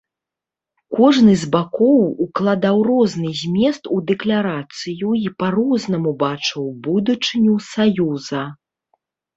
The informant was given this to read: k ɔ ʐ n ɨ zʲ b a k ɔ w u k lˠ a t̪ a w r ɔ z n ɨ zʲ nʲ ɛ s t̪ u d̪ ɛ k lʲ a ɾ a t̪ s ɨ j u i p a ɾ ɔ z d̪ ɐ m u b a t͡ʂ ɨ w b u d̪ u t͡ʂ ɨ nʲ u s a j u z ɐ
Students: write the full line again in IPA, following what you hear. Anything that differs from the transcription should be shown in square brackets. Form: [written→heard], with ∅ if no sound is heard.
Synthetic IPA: k ɔ ʐ n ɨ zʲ b a k ɔ w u k lˠ a [t̪→d̪] a w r ɔ z n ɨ zʲ [nʲ→mʲ] ɛ s t̪ u d̪ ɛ k lʲ a ɾ a t̪ s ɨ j u i p a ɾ ɔ z [d̪→n̪] ɐ m u b a t͡ʂ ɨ w b u d̪ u t͡ʂ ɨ nʲ u s a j u z ɐ

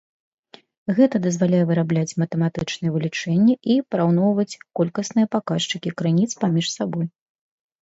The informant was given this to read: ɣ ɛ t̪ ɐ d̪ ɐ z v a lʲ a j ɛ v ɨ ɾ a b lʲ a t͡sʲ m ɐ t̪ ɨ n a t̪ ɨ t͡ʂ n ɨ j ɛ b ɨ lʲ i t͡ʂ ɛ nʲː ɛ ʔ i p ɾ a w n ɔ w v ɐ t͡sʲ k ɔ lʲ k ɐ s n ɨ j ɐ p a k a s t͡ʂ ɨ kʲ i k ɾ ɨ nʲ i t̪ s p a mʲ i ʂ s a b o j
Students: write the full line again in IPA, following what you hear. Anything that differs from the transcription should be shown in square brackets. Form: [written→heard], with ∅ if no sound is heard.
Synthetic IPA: ɣ ɛ t̪ ɐ d̪ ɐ z v a lʲ a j ɛ v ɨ ɾ a b lʲ a t͡sʲ m ɐ t̪ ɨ [n→m] a t̪ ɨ t͡ʂ n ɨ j ɛ [b→v] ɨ lʲ i t͡ʂ ɛ nʲː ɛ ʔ i p ɾ a w n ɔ w v ɐ t͡sʲ k ɔ lʲ k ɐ s n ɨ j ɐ p a k a [s→ʂ] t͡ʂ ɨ kʲ i k ɾ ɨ nʲ i t̪ s p a mʲ i ʂ s a b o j

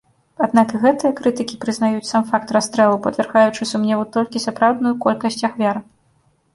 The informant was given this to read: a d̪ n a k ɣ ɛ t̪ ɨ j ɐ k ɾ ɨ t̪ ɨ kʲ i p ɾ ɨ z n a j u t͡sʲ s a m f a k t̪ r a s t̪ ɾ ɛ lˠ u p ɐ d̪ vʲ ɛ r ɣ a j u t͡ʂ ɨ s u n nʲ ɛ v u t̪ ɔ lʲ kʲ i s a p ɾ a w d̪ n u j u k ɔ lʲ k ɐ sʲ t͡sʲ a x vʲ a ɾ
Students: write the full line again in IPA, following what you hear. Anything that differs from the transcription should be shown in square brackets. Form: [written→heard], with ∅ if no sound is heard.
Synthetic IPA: a d̪ n a k ɣ ɛ t̪ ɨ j ɐ k ɾ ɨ t̪ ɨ kʲ i p ɾ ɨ z n a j u t͡sʲ s a m f a k t̪ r a s t̪ ɾ ɛ lˠ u p ɐ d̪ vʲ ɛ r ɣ a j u t͡ʂ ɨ s u [n→m] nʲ ɛ v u t̪ ɔ lʲ kʲ i s a p ɾ a w d̪ n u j u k ɔ lʲ k ɐ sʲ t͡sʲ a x vʲ a ɾ

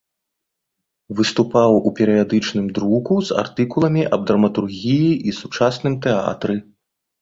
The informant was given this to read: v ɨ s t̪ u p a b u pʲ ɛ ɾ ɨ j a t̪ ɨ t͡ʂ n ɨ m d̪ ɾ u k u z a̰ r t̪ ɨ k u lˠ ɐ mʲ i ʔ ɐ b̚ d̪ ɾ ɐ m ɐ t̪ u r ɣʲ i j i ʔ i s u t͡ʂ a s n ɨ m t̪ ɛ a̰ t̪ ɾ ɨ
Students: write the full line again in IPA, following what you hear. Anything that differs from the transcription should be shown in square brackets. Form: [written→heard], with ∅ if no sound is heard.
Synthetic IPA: v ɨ s t̪ u p a [b→w] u pʲ ɛ ɾ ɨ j a [t̪→d̪] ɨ t͡ʂ n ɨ m d̪ ɾ u k u z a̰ r t̪ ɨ k u lˠ ɐ mʲ i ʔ ɐ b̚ d̪ ɾ ɐ m ɐ t̪ u r ɣʲ i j i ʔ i s u t͡ʂ a s n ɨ m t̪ ɛ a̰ t̪ ɾ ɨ

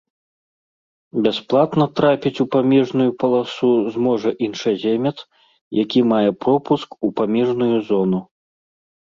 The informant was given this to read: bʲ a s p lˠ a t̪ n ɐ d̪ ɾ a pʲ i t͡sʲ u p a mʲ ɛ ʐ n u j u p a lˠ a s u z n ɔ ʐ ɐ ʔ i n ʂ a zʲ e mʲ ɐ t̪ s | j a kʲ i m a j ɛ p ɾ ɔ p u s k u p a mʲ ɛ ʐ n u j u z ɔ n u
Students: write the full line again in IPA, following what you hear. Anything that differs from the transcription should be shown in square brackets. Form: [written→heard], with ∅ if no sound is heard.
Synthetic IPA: bʲ a s p lˠ a t̪ n ɐ [d̪→t̪] ɾ a pʲ i t͡sʲ u p a mʲ ɛ ʐ n u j u p [a→ɐ] lˠ a s u z [n→m] ɔ ʐ ɐ ʔ i n ʂ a zʲ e mʲ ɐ t̪ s | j a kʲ i m a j ɛ p ɾ ɔ p u s k u p a mʲ ɛ ʐ n u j u z ɔ n u

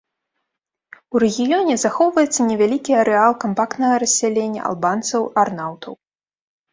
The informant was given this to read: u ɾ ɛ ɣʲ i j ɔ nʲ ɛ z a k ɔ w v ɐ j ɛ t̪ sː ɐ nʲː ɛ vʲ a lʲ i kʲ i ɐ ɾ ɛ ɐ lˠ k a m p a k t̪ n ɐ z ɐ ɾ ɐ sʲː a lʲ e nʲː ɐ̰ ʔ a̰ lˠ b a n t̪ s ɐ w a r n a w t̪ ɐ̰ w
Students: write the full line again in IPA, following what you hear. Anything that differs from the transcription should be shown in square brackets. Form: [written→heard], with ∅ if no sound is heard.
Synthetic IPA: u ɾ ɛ ɣʲ i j ɔ nʲ ɛ z a [k→x] ɔ w v ɐ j ɛ t̪ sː ɐ [nʲː→nʲ] ɛ vʲ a lʲ i kʲ i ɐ ɾ ɛ [ɐ→a] lˠ k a m p a k t̪ n ɐ [z→ɣ] ɐ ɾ ɐ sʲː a lʲ e nʲː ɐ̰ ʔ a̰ lˠ b a n t̪ s ɐ w a r n a w t̪ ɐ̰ w

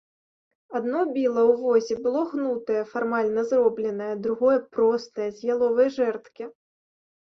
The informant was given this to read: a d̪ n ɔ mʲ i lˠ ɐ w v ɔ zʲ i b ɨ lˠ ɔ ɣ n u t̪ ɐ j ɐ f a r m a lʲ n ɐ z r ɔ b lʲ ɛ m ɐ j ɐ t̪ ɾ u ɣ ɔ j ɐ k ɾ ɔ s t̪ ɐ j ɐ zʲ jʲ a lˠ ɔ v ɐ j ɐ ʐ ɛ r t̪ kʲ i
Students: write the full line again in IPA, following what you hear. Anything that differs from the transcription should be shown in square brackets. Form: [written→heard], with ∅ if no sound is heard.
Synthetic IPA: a d̪ n ɔ [mʲ→bʲ] i lˠ ɐ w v ɔ zʲ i b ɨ lˠ ɔ ɣ n u t̪ ɐ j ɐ f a r m a lʲ n ɐ z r ɔ b lʲ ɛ [m→n] ɐ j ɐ [t̪→d̪] ɾ u ɣ ɔ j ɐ [k→p] ɾ ɔ s t̪ ɐ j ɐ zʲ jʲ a lˠ ɔ v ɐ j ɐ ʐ ɛ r t̪ kʲ i

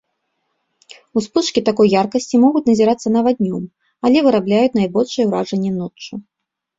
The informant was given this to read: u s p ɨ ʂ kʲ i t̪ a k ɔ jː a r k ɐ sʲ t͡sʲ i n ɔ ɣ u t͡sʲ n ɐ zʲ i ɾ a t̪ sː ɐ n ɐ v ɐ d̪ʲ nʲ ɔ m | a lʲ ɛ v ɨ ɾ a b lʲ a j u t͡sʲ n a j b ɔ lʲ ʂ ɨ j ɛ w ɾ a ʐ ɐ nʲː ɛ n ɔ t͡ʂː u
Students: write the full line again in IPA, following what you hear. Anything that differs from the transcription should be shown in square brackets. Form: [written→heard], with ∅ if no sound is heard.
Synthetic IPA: u s p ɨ ʂ kʲ i t̪ a k ɔ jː a r k ɐ sʲ t͡sʲ i [n→m] ɔ ɣ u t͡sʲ n ɐ zʲ i ɾ a t̪ sː ɐ n ɐ v [ɐ→a] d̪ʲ nʲ ɔ m | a lʲ ɛ v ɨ ɾ a b lʲ a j u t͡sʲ n a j b ɔ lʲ ʂ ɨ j ɛ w ɾ a ʐ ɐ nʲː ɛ n ɔ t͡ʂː u

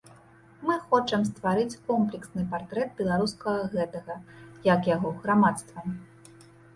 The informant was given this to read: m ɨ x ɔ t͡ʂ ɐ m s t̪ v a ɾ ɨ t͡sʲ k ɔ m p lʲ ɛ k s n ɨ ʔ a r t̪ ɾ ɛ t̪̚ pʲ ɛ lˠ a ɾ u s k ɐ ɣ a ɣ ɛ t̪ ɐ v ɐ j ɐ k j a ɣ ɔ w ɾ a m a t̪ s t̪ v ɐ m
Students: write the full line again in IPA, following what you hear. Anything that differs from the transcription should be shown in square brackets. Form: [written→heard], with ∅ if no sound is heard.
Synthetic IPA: m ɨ x ɔ t͡ʂ ɐ m s t̪ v a ɾ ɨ t͡sʲ k ɔ m p lʲ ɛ k s n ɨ [ʔ→p] a r t̪ ɾ ɛ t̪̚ [pʲ→bʲ] ɛ lˠ a ɾ u s k ɐ ɣ [a→ɐ] ɣ ɛ t̪ ɐ [v→ɣ] ɐ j ɐ k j a ɣ ɔ [w→ɣ] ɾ a m a t̪ s t̪ v ɐ m

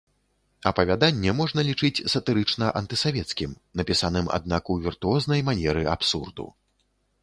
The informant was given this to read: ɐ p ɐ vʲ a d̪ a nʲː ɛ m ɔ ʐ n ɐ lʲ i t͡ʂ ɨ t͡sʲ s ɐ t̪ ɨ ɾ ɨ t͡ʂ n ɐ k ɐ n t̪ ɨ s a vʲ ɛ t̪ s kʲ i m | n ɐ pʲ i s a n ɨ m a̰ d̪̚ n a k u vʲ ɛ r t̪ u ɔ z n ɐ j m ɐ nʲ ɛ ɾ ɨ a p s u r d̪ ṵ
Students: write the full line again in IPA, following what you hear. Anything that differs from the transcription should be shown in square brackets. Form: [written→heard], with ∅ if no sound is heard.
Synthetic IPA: ɐ p ɐ vʲ a d̪ a nʲː ɛ m ɔ ʐ n ɐ lʲ i t͡ʂ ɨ t͡sʲ s ɐ t̪ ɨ ɾ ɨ t͡ʂ n ɐ [k→ʔ] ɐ n t̪ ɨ s a vʲ ɛ t̪ s kʲ i m | n ɐ pʲ i s a n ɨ m a̰ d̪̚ n a k u vʲ [ɛ→i] r t̪ u ɔ z n ɐ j m [ɐ→a] nʲ ɛ ɾ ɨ a p s u r d̪ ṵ

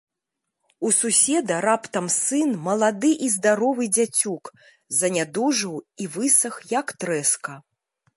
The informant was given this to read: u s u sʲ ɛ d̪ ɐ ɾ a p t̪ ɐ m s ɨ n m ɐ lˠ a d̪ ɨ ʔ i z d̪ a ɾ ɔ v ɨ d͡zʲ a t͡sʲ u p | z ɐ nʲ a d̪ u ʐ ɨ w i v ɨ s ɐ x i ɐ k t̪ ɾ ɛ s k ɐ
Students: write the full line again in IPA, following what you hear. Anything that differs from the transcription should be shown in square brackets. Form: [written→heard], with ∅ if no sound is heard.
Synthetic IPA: u s u sʲ ɛ d̪ ɐ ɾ a p t̪ ɐ m s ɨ n m ɐ lˠ a d̪ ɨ ʔ i z d̪ a ɾ ɔ v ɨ d͡zʲ a t͡sʲ u [p→k] | z ɐ nʲ a d̪ u ʐ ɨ w i v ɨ s ɐ x [i→j] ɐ k t̪ ɾ ɛ s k ɐ

